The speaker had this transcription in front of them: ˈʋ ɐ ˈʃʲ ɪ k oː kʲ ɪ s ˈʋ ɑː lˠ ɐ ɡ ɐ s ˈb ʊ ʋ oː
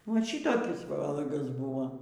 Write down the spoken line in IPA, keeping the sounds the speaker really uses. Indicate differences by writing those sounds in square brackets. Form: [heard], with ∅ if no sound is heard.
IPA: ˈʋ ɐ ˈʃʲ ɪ [t] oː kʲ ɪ s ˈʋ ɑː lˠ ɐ ɡ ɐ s ˈb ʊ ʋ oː